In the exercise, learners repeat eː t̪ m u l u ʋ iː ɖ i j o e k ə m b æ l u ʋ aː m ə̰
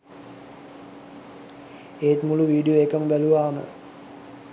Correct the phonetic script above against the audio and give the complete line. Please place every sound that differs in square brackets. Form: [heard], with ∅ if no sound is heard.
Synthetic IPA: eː t̪ m u l u ʋ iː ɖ i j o e k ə m b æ l u ʋ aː m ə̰